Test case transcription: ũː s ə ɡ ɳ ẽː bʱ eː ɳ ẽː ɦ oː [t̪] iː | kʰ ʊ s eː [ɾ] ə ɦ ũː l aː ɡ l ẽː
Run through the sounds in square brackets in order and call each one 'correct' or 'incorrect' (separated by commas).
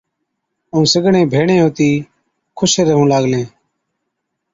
correct, correct